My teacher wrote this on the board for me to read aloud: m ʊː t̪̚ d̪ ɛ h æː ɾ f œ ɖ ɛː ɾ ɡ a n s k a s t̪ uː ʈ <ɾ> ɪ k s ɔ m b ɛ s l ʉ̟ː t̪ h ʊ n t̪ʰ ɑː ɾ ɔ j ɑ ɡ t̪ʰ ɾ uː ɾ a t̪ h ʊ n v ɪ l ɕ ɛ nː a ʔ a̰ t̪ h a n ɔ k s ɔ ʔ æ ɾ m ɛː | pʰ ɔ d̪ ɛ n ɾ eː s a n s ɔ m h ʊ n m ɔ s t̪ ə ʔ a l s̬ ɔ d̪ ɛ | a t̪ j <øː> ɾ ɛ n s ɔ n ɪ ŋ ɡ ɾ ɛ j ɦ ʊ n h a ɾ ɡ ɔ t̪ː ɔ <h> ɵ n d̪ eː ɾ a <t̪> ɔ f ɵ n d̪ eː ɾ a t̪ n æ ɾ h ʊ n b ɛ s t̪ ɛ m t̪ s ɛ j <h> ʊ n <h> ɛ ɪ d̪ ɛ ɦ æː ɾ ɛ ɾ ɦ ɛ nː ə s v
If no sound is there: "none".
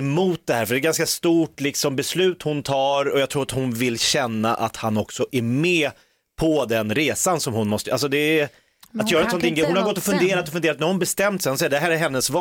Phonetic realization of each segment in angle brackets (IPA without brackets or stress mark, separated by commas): l, œː, f, t̪, h, s